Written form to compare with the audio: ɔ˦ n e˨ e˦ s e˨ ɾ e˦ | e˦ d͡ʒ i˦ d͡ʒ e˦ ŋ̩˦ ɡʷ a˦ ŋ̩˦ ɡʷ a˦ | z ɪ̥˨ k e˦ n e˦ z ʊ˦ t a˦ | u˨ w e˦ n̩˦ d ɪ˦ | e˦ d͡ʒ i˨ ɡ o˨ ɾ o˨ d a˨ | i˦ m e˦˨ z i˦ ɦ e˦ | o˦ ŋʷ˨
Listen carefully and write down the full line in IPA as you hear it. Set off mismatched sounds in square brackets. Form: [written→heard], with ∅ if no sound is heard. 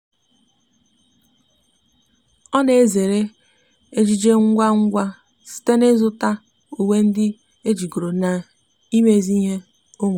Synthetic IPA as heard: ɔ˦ n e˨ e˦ [s→z] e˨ ɾ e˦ | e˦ d͡ʒ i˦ d͡ʒ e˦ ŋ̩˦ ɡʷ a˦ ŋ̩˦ ɡʷ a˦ | [z→s] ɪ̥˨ [k→t] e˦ n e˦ z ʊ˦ t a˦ | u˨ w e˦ n̩˦ d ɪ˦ | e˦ d͡ʒ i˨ ɡ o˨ ɾ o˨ [d→n] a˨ | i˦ m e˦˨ z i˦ ɦ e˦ | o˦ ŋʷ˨